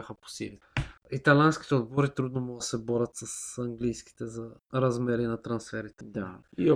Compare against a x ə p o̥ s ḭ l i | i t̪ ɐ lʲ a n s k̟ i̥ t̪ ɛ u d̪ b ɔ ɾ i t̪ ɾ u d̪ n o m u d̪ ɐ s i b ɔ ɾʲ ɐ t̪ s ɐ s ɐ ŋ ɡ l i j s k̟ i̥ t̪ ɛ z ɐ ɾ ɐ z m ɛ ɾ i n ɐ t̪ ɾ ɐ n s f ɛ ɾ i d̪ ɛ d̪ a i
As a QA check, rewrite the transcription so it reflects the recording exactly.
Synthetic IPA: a x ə p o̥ s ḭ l i | i t̪ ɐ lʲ a n s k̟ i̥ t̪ ɛ o d̪ b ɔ ɾ i t̪ ɾ u d̪ n o m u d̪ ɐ s ɛ b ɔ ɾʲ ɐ t̪ s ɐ s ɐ ŋ ɡ l i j s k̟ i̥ t̪ ɛ z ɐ ɾ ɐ z m ɛ ɾ i n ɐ t̪ ɾ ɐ n s f ɛ ɾ i t̪ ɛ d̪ a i